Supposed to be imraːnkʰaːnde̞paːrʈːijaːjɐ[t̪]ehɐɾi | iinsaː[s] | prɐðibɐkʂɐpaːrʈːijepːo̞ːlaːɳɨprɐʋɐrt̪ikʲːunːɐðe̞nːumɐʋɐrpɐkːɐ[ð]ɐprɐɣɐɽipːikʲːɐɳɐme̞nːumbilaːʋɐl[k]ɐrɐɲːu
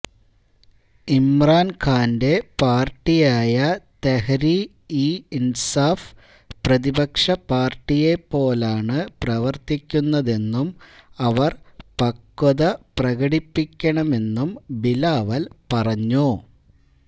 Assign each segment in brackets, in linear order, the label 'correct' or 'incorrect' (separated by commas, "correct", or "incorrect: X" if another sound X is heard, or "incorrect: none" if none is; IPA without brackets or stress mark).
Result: correct, incorrect: f, correct, incorrect: p